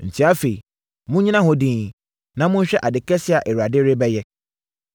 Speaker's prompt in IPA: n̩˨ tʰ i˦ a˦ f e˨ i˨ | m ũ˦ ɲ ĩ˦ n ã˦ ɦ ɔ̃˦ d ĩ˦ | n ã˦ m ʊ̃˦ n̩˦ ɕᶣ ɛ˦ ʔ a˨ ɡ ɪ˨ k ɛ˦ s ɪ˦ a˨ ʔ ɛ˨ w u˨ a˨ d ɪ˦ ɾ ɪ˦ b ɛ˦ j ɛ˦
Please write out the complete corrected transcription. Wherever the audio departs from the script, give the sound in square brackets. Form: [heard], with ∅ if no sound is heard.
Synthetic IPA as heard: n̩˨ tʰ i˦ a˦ f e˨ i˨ | m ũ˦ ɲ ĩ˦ n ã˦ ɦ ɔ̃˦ d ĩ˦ | n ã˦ m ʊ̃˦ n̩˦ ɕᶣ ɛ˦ ʔ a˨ [d] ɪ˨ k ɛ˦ s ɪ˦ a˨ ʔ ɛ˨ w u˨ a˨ d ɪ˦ ɾ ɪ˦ b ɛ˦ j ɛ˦